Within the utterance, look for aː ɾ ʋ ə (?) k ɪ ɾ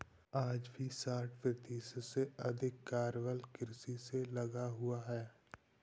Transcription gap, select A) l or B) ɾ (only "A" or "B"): A